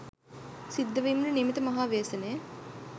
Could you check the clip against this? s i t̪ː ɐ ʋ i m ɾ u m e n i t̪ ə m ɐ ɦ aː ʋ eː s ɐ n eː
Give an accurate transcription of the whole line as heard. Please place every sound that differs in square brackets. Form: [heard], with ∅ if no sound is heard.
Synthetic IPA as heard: s i [d̪ː] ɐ ʋ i m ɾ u [n] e [m] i t̪ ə m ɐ ɦ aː ʋ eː s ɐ n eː